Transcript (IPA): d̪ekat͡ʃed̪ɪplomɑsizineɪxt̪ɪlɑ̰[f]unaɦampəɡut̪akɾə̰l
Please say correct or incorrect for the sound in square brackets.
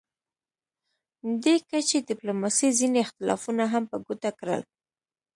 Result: correct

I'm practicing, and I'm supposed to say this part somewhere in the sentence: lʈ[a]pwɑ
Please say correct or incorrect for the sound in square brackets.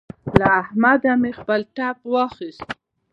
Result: correct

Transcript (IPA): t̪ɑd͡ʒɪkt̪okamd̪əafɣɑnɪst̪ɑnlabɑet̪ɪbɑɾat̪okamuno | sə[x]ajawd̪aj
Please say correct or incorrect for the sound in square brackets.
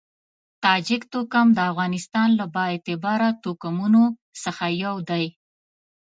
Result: correct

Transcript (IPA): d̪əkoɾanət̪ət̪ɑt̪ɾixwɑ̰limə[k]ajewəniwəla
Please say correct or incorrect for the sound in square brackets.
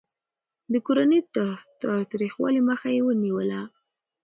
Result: incorrect: x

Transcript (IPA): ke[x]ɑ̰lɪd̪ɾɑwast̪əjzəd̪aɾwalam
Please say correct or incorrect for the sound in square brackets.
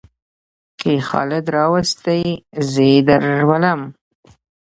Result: correct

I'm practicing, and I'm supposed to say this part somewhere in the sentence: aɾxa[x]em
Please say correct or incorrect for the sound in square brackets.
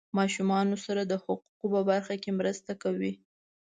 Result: incorrect: k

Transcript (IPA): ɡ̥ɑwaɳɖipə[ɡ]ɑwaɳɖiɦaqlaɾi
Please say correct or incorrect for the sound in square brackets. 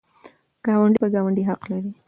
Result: correct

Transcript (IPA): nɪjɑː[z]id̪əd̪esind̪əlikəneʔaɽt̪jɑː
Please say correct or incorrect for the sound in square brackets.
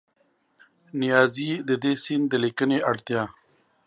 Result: correct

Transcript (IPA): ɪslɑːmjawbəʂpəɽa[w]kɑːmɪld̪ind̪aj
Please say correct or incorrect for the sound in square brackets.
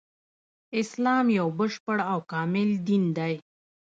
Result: correct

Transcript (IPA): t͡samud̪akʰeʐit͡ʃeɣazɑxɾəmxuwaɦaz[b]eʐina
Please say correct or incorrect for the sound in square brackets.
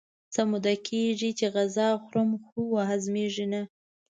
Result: incorrect: m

